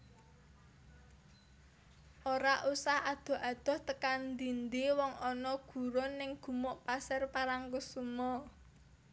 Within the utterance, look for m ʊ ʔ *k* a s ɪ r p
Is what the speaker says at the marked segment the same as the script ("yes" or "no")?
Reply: no